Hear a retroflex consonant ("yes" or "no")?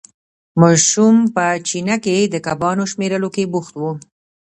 no